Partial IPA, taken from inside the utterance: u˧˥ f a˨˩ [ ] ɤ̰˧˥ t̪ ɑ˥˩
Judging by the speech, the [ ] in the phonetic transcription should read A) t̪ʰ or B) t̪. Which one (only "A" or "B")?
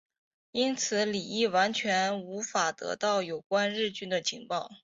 B